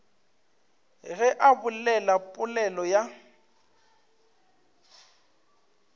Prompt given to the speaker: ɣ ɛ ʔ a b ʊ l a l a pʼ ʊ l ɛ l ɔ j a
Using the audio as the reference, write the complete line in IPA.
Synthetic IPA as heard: ɣ ɛ ʔ a b ʊ l ɛ l a pʼ ʊ l ɛ l ɔ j a